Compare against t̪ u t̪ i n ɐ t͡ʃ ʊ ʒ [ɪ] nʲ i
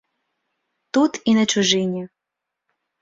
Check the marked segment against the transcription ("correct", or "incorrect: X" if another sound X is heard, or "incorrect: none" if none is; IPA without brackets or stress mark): correct